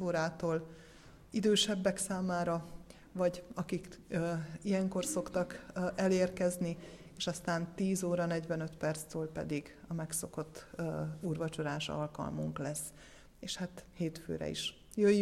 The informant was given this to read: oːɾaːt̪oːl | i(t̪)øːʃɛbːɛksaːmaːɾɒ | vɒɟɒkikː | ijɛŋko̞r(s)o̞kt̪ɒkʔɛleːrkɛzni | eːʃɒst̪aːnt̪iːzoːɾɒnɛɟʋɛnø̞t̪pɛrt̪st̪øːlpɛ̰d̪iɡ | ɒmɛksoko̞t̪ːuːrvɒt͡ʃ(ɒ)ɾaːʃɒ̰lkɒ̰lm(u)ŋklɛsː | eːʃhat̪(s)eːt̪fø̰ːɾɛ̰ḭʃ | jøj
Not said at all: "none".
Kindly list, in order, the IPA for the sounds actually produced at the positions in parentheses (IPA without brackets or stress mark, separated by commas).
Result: d̪, s, o, u, h